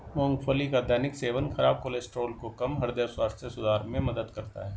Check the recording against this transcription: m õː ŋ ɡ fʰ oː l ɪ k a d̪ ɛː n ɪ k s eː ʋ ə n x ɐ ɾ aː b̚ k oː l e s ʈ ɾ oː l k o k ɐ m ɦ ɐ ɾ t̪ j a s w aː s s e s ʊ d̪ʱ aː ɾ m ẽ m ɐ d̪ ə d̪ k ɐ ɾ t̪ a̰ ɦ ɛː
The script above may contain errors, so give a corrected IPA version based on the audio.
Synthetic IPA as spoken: m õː ŋ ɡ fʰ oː l i k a d̪ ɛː n ɪ k s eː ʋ ə n x ɐ ɾ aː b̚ k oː l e s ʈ ɾ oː l k o k ɐ m ɦ ɐ ɾ d̪ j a s w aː s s e s ʊ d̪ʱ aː ɾ m ẽ m ɐ d̪ ə d̪ k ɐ ɾ t̪ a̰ ɦ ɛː

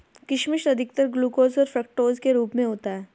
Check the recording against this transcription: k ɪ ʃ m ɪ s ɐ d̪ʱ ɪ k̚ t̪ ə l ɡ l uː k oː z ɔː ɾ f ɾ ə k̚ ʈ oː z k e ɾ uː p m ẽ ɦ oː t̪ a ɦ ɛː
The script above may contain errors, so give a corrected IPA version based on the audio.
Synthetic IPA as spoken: k ɪ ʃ m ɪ ʃ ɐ d̪ʱ ɪ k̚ t̪ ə ɾ ɡ l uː k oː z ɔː ɾ f ɾ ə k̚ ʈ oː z k e ɾ uː p m ẽ ɦ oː t̪ a ɦ ɛː

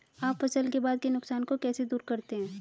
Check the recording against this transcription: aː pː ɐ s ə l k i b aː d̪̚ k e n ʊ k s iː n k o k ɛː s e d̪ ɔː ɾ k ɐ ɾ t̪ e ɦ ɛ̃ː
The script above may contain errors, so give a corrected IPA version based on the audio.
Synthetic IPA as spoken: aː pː ɐ s ə l k e b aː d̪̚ k e n ʊ k s aː n k o k ɛː s e d̪ uː ɾ k ɐ ɾ t̪ e ɦ ɛ̃ː

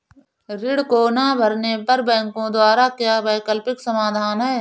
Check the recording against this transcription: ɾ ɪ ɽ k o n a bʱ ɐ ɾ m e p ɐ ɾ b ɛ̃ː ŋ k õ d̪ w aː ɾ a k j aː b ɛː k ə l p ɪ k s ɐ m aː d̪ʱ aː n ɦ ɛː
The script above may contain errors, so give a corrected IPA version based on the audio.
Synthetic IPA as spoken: ɾ ɪ ɽ k o n a bʱ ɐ ɾ n e p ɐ ɾ b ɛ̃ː ŋ k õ d̪ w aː ɾ a k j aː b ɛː k ə l p ɪ k s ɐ m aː d̪ʱ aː n ɦ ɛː

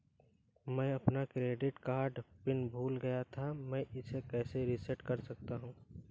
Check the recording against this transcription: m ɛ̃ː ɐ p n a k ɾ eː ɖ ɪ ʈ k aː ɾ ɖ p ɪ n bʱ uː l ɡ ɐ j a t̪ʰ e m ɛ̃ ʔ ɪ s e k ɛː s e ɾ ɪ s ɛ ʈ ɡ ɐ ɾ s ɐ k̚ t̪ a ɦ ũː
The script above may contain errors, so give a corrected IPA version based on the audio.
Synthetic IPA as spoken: m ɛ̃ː ɐ p n a k ɾ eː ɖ ɪ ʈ k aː ɾ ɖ p ɪ n bʱ uː l ɡ ɐ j a t̪ʰ a m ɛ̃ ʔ ɪ s e k ɛː s e ɾ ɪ s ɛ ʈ k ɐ ɾ s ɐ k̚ t̪ a ɦ ũː

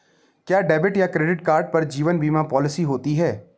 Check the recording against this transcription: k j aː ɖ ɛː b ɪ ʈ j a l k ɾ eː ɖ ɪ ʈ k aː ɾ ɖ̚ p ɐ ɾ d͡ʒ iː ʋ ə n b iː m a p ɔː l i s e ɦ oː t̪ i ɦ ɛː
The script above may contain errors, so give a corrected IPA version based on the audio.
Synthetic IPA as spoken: k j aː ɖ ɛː b ɪ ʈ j a k ɾ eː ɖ ɪ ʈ k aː ɾ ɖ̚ p ɐ ɾ d͡ʒ iː ʋ ə n b iː m a p ɔː l ɪ s i ɦ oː t̪ i ɦ ɛː

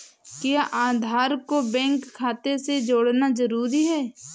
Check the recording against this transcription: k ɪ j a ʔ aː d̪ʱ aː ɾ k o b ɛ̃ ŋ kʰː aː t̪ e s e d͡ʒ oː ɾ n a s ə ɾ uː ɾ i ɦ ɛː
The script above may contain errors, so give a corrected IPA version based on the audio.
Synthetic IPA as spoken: k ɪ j a ʔ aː d̪ʱ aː ɾ k o b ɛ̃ ŋ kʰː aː t̪ e s e d͡ʒ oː ɽ n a z ə ɾ uː ɾ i ɦ ɛː

